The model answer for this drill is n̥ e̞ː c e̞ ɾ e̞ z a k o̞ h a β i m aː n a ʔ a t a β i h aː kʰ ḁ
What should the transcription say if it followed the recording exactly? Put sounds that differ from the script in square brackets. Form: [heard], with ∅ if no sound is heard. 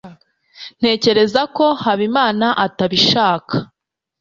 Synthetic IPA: n̥ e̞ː c e̞ ɾ e̞ z a k o̞ h a β i m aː n a ʔ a t a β i [ʃ] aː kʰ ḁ